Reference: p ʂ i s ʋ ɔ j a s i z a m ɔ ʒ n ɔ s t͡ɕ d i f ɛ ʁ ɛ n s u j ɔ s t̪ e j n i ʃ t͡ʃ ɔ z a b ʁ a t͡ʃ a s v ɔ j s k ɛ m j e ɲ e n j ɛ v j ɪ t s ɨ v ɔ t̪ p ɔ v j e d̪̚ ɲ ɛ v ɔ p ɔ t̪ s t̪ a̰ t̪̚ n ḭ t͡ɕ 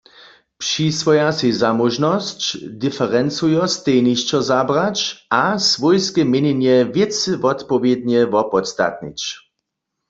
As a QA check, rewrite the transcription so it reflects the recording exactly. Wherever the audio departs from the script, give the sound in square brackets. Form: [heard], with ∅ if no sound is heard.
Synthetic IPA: p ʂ i s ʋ ɔ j a s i z a m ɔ ʒ n ɔ s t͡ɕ d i f ɛ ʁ ɛ n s u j ɔ s t̪ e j n i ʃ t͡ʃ ɔ z a b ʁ a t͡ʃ a s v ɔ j s k ɛ m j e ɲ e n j ɛ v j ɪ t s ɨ v ɔ t̪ p ɔ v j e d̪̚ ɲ ɛ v ɔ p ɔ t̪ s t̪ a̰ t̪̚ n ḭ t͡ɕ